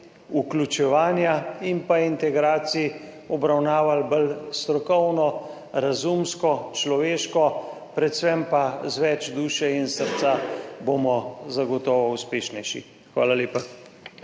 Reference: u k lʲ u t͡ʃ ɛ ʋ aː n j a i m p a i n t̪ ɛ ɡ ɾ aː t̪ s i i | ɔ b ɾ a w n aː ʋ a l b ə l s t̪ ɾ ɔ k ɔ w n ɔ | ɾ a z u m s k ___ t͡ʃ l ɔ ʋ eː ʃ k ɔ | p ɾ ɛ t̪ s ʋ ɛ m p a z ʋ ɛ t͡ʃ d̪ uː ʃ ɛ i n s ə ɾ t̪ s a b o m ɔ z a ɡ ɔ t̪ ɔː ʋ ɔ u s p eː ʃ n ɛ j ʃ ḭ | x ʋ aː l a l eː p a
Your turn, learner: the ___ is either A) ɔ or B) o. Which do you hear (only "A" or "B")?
A